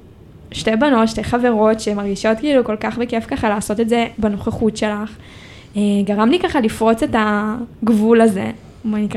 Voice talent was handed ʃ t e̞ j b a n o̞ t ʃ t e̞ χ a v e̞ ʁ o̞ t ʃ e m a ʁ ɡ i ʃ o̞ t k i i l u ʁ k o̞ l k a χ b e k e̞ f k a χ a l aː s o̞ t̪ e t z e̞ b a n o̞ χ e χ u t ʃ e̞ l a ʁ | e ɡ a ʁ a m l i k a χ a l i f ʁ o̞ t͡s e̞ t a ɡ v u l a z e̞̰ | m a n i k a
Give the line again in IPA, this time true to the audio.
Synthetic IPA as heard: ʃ t e̞ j b a n o̞ t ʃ t e̞ χ a v e̞ ʁ o̞ t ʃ e m a ʁ ɡ i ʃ o̞ t k i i l u k o̞ l k a χ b e k e̞ f k a χ a l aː s o̞ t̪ e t z e̞ b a n o̞ χ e χ u t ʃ e̞ l a χ | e ɡ a ʁ a m l i k a χ a l i f ʁ o̞ t͡s e̞ t a ɡ v u l a z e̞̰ | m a n i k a